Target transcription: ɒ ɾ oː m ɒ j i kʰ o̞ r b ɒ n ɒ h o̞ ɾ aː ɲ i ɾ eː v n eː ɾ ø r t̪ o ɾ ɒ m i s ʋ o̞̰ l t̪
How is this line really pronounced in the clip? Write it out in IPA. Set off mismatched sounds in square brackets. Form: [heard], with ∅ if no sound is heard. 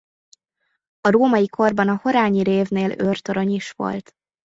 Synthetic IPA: ɒ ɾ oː m ɒ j i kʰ o̞ r b ɒ n ɒ h o̞ ɾ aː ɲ i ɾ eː v n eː [l] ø r t̪ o ɾ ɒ [ɲ] i [ʃ] ʋ o̞̰ l t̪